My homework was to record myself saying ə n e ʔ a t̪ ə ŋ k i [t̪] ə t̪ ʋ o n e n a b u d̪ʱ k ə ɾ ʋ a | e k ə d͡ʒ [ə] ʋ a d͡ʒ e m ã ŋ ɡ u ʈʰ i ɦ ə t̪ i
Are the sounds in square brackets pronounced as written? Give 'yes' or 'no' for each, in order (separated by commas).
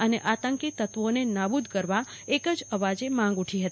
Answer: yes, yes